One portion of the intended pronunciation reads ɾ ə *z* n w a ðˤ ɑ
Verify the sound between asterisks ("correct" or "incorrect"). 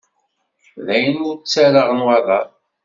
incorrect